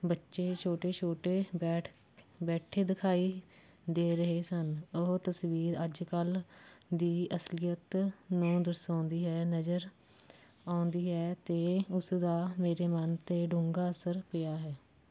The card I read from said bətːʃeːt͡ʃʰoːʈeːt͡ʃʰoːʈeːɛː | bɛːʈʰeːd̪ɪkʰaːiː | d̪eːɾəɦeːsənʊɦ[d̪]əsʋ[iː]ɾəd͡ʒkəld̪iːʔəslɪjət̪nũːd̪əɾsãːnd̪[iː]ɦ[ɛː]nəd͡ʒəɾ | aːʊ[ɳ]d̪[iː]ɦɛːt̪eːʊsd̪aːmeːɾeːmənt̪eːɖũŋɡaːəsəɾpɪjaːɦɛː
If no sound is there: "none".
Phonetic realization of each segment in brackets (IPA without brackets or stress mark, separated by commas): t̪, iː, iː, ɛː, n, iː